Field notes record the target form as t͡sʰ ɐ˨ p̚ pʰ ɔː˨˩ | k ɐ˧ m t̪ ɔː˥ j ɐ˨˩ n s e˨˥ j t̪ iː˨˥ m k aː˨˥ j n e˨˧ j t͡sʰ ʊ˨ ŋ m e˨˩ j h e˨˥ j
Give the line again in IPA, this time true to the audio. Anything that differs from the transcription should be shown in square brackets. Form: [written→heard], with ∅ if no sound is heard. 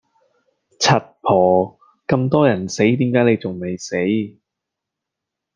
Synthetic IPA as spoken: t͡sʰ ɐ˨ [p̚→t̚] pʰ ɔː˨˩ | k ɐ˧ m t̪ ɔː˥ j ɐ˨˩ n s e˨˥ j t̪ iː˨˥ m k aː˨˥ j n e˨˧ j [t͡sʰ→t͡s] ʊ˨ ŋ m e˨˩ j [h→s] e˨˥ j